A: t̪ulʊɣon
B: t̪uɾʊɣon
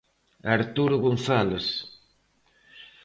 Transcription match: B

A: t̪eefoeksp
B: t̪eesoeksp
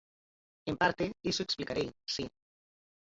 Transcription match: B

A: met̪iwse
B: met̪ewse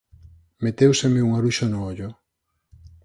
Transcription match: B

